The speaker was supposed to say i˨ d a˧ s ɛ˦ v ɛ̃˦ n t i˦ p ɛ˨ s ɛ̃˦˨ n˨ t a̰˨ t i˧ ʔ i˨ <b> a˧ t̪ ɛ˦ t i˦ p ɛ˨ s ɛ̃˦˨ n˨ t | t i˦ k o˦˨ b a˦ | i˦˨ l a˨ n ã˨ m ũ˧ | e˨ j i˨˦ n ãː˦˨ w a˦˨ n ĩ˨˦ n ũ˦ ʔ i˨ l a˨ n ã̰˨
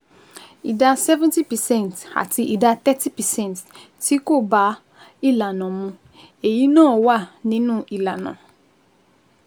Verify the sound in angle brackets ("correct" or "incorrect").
incorrect